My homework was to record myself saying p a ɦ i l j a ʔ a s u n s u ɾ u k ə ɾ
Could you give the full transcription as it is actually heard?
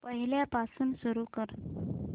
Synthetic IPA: p ə ɦ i l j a p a s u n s u ɾ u k ə ɾ